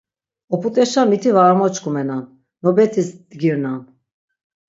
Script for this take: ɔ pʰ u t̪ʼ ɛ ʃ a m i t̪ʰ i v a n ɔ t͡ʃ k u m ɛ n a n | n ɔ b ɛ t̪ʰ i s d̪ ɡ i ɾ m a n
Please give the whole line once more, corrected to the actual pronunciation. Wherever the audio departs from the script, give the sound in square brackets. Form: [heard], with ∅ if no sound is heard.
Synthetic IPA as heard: ɔ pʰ u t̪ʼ ɛ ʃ a m i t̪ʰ i v a [m] ɔ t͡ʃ k u m ɛ n a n | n ɔ b ɛ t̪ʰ i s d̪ ɡ i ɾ [n] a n